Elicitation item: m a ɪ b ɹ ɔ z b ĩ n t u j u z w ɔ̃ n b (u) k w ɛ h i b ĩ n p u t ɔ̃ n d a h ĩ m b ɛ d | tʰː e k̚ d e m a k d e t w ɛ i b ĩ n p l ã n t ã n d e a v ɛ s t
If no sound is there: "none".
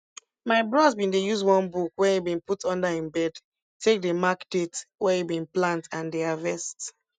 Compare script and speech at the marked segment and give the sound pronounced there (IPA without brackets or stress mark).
u